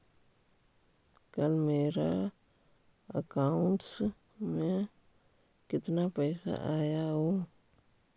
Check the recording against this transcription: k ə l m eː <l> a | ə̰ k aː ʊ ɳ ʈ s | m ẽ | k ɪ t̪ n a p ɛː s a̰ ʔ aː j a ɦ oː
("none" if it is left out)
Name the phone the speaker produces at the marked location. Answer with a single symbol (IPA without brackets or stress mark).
ɾ